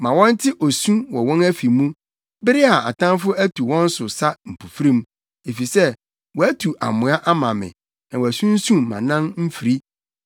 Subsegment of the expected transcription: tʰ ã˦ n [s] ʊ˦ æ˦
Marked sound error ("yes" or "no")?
yes